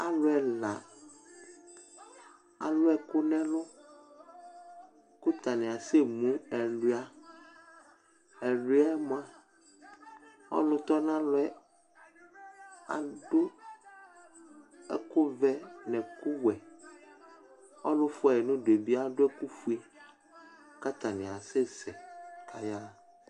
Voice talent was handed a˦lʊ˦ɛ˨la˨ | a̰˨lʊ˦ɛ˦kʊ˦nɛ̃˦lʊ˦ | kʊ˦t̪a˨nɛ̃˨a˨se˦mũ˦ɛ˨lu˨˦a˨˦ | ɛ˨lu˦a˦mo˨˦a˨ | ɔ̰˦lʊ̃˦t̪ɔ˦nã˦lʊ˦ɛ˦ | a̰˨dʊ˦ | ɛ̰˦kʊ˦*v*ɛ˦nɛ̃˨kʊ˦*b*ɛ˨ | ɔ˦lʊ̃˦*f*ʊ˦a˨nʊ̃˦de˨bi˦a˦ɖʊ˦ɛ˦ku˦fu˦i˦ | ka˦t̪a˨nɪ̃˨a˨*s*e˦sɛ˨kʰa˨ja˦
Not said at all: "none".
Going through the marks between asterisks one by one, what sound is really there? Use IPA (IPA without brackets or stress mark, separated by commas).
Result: v, w, f, s